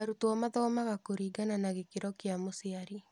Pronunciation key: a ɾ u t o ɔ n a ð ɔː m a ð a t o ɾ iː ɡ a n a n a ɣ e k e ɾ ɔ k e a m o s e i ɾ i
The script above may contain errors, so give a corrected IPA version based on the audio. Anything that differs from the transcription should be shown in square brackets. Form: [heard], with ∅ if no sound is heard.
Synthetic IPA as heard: a ɾ u t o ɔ [m] a ð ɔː m a [ɣ] a [k] o ɾ iː ɡ a n a n a ɣ e k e ɾ ɔ k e a m o s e [a] ɾ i

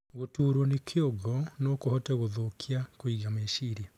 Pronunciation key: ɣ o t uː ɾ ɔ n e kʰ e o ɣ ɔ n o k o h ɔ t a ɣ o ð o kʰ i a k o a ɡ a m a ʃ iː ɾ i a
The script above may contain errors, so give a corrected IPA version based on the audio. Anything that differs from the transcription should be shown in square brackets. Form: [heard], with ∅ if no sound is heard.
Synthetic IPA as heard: ɣ o t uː ɾ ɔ n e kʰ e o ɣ ɔ n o k o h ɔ t [ɛ] ɣ o ð o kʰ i a k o [i] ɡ a m [e] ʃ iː ɾ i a

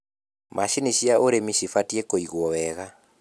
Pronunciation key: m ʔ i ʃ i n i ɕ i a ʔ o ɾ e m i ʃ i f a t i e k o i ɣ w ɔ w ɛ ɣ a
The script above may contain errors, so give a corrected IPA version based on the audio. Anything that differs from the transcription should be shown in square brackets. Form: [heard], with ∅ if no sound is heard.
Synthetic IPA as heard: m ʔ [a] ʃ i n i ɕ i a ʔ o ɾ e m i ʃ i f a t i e k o i ɣ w ɔ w ɛ ɣ a

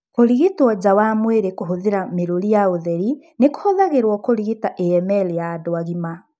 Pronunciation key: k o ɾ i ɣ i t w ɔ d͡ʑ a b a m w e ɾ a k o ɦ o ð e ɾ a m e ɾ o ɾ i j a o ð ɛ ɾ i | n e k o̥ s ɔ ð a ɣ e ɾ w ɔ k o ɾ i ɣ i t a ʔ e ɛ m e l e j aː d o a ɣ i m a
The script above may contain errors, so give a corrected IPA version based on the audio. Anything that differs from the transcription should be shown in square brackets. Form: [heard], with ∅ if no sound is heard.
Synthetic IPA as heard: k o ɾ i ɣ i t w ɔ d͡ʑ a [w] a m w e ɾ [e] k o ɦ o ð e ɾ a m e ɾ o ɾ i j a o ð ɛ ɾ i | n e k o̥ [h] ɔ ð a ɣ e ɾ w ɔ k o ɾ i ɣ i t a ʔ e ɛ m [ɛ] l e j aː d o a ɣ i m a

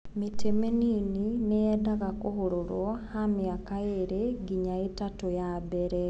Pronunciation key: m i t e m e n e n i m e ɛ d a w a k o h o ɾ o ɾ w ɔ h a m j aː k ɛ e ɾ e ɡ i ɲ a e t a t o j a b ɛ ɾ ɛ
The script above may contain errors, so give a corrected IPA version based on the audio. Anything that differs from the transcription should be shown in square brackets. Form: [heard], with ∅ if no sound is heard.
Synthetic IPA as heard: m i t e m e n [i] n i [n] e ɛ d a [ɣ] a k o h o ɾ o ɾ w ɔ h a m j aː k [a] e ɾ e ɡ i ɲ a e t a t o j a b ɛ ɾ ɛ

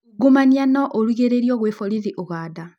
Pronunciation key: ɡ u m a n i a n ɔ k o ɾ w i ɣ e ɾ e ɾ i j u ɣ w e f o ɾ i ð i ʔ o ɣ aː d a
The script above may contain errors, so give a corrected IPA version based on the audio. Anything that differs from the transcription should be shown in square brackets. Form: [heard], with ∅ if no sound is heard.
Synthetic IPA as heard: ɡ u m a n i a n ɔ [ʔ] o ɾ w i ɣ e ɾ e ɾ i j [ɔ] ɣ w e f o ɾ i ð i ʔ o ɣ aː d a

